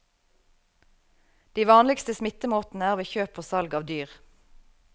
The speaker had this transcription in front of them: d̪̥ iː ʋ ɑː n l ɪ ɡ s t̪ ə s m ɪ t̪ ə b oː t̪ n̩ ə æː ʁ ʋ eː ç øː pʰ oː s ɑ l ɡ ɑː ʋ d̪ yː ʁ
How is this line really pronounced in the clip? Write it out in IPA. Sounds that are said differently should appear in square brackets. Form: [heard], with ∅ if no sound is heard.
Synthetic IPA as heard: d̪̥ iː ʋ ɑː n l ɪ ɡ s t̪ ə s m ɪ t̪ ə [m] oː t̪ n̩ ə æː ʁ ʋ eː ç øː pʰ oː s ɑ l ɡ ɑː ʋ d̪ yː ʁ

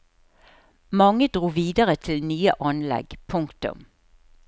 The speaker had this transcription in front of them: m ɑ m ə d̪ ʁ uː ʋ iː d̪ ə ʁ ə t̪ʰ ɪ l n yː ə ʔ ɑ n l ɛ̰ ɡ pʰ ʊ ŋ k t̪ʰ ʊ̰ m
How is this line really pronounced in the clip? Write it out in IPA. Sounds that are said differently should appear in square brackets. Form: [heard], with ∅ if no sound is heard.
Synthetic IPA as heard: m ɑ [ŋ] ə d̪ ʁ uː ʋ iː d̪ ə ʁ ə t̪ʰ ɪ l n yː ə ʔ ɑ n l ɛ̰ ɡ pʰ ʊ ŋ k [t̪] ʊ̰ m

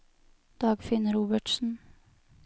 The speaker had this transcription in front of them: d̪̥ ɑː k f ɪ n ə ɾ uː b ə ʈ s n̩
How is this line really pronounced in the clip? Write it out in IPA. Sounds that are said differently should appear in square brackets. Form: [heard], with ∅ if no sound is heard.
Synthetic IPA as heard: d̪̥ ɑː [ɡ] f ɪ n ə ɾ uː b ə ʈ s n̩

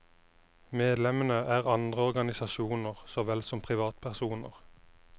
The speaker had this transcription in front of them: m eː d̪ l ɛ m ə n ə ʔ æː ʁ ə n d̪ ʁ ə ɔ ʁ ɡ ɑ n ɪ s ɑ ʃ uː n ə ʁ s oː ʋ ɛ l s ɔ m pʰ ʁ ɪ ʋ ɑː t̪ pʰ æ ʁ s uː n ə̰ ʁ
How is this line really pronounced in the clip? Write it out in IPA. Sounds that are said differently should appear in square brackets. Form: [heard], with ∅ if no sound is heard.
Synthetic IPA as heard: m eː d̪ l ɛ m ə n ə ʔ æː ʁ [ɑ] n d̪ ʁ ə ɔ ʁ ɡ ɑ n ɪ s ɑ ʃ uː n ə ʁ s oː ʋ ɛ l s ɔ m pʰ ʁ ɪ ʋ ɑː t̪ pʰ æ ʁ s uː n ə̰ ʁ

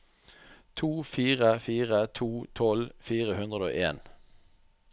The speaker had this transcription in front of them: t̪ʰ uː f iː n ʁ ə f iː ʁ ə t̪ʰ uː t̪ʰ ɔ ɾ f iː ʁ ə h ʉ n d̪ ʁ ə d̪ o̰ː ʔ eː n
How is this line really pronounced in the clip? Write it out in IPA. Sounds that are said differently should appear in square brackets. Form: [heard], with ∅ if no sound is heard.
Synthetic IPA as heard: t̪ʰ uː f iː [∅] ʁ ə f iː ʁ ə t̪ʰ uː t̪ʰ ɔ [l] f iː ʁ ə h ʉ n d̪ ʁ ə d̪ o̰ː ʔ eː n

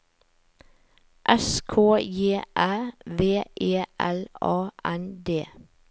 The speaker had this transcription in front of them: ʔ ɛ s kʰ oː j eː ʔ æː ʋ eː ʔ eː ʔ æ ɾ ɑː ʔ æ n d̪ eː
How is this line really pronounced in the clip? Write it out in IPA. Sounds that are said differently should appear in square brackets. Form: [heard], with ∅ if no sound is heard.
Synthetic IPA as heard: ʔ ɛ s kʰ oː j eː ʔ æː ʋ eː ʔ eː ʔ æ [l] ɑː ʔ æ n d̪ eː

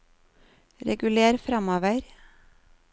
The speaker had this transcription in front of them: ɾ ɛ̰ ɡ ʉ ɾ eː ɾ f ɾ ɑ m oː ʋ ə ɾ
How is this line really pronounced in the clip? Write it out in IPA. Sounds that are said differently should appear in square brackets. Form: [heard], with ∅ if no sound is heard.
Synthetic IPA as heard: ɾ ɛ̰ ɡ ʉ [l] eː ɾ f ɾ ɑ m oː ʋ ə ɾ

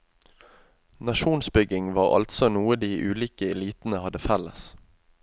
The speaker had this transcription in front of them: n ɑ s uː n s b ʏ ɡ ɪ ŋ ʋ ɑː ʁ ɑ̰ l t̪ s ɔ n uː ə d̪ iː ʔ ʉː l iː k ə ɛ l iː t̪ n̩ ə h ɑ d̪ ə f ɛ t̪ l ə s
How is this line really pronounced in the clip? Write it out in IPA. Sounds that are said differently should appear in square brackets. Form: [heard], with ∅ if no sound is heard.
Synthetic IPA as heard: n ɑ [ʃ] uː n s b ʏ ɡ ɪ ŋ ʋ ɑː ʁ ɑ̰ l t̪ s ɔ n uː ə d̪ iː ʔ ʉː l iː k ə ɛ l iː t̪ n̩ ə h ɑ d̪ ə f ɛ [∅] l ə s

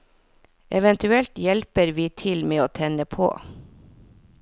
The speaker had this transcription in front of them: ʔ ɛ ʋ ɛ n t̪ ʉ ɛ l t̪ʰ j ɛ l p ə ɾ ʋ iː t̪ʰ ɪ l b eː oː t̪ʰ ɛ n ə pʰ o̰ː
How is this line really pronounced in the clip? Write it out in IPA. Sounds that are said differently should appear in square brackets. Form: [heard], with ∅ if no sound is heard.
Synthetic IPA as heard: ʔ ɛ ʋ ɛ n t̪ ʉ ɛ l [t̪] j ɛ l p ə ɾ ʋ iː t̪ʰ ɪ l [m] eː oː t̪ʰ ɛ n ə pʰ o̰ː

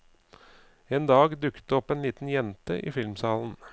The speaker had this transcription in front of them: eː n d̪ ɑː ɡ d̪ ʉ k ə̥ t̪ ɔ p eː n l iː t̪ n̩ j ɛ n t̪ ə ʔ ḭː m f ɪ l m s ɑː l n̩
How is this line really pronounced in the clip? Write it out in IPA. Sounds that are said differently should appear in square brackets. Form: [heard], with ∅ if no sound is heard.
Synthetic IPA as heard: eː n d̪ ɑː ɡ d̪ ʉ k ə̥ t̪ ɔ p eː n l iː t̪ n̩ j ɛ n t̪ ə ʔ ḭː [∅] f ɪ l m s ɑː l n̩

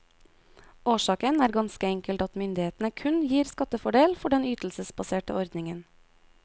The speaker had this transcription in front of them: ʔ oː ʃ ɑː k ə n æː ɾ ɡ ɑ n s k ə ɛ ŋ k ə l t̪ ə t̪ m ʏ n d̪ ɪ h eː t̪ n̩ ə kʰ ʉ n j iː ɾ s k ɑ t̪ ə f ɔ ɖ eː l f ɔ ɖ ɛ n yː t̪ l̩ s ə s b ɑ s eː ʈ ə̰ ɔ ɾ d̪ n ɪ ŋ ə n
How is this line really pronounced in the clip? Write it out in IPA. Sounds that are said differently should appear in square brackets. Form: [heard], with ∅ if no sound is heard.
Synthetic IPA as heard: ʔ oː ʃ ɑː k ə n æː ɾ ɡ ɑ n s k ə ɛ ŋ k ə l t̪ [ɑ] t̪ m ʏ n d̪ ɪ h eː t̪ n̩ ə kʰ ʉ n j iː ɾ s k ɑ t̪ ə f ɔ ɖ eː l f ɔ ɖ ɛ n yː t̪ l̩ s ə s b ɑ s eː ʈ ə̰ ɔ ɾ d̪ n ɪ ŋ ə n

